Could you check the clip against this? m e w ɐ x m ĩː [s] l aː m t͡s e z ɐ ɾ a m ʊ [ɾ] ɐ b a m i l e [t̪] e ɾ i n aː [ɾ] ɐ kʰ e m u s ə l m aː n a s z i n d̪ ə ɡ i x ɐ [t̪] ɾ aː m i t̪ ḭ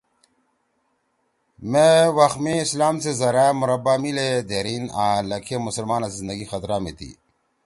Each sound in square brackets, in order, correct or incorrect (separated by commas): correct, correct, incorrect, incorrect, correct